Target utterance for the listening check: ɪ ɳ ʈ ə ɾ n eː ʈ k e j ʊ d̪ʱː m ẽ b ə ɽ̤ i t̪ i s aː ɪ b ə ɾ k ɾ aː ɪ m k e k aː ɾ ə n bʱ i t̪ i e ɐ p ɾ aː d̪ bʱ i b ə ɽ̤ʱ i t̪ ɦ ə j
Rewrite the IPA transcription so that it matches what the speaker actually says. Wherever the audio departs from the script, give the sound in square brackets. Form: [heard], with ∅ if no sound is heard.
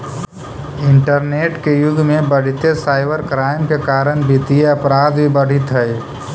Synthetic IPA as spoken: ɪ ɳ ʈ ə ɾ n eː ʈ k e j ʊ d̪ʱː m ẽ b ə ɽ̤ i t̪ [e] s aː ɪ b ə ɾ k ɾ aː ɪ m k e k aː ɾ ə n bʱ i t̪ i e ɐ p ɾ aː d̪ bʱ i b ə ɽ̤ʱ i t̪ ɦ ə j